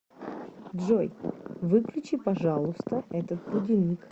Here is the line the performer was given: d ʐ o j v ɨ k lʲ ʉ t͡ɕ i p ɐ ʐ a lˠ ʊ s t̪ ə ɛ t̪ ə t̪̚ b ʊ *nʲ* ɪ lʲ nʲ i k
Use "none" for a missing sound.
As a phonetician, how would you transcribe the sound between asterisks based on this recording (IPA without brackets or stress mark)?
dʲ